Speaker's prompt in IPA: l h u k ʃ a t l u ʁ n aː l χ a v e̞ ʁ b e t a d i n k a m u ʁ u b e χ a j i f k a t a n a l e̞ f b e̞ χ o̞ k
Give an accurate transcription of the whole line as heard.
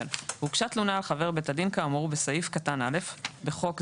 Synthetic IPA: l h u k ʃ a t l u n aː l χ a v e̞ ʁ b e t a d i n k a m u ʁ u b e s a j i f k a t a n a l e̞ f b e̞ χ o̞ k